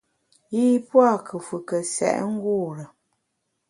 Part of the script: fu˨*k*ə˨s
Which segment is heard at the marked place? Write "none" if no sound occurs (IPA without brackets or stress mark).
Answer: k